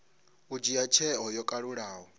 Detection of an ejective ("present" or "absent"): present